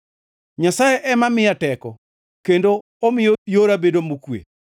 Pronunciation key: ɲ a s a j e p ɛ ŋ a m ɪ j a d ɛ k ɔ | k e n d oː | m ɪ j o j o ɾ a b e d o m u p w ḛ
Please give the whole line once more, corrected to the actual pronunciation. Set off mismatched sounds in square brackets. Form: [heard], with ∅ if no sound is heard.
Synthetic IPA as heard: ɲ a s a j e [ʔ] ɛ [m] a m ɪ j a [t] ɛ k ɔ | k e n d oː | m ɪ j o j o ɾ a b e d o m u [k] w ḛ